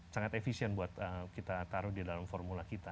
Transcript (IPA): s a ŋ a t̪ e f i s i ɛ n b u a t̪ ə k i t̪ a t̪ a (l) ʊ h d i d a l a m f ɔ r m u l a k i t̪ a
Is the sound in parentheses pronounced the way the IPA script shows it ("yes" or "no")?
no